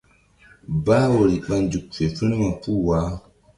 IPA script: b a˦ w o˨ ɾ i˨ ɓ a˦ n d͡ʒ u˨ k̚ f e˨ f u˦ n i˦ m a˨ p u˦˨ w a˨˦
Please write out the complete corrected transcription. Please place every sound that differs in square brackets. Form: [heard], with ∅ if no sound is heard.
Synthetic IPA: b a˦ w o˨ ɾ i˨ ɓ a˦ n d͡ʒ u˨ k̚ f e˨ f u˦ n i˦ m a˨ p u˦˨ w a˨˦